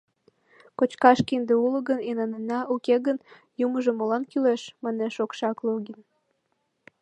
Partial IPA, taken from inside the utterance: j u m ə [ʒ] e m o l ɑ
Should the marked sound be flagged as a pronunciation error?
no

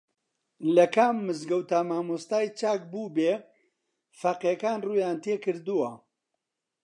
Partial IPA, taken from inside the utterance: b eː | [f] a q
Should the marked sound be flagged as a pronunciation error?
no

